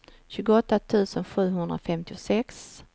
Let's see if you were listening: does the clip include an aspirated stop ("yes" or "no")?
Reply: yes